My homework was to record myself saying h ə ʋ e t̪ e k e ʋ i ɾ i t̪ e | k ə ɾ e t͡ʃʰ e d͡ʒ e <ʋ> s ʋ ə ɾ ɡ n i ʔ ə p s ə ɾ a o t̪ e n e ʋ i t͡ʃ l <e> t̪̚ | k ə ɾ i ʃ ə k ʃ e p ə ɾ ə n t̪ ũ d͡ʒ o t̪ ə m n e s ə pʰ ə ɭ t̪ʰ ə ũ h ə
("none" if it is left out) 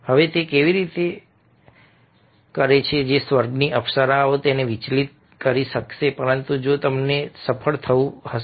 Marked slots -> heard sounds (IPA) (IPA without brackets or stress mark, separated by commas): none, i